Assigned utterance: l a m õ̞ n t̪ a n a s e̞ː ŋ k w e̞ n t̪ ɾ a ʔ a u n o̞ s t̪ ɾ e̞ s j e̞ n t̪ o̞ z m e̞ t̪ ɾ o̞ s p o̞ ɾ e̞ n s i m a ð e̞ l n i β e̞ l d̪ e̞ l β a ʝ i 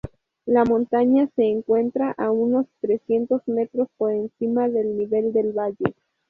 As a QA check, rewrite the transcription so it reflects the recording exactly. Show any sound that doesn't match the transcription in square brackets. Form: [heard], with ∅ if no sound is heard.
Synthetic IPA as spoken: l a m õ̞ n t̪ a [ɲ] a s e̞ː ŋ k w e̞ n t̪ ɾ a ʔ a u n o̞ s t̪ ɾ e̞ s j e̞ n t̪ o̞ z m e̞ t̪ ɾ o̞ s p o̞ ɾ e̞ n s i m a ð e̞ l n i β e̞ l d̪ e̞ l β a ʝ [e]